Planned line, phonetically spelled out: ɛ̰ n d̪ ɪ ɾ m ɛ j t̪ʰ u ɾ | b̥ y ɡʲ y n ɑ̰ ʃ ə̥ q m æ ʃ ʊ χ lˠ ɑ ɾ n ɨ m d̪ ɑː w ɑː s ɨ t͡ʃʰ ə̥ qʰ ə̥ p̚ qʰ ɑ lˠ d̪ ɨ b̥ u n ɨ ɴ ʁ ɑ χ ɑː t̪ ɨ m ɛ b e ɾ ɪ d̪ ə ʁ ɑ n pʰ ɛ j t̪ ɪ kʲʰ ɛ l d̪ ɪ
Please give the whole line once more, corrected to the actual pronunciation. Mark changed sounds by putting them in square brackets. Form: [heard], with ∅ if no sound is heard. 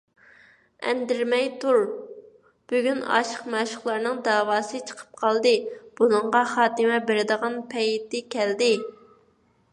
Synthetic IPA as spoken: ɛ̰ n d̪ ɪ ɾ m ɛ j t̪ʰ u ɾ | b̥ y ɡʲ y n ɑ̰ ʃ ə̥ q m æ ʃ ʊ χ lˠ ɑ ɾ n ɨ [ŋ] d̪ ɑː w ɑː s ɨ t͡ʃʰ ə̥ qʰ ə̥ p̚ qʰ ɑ lˠ d̪ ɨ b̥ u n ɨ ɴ ʁ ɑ χ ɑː t̪ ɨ m ɛ b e ɾ ɪ d̪ ə ʁ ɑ n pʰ ɛ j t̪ ɪ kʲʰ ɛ l d̪ ɪ